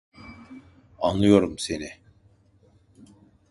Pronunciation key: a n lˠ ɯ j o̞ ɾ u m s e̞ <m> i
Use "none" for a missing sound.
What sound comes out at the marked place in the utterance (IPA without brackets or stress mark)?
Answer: n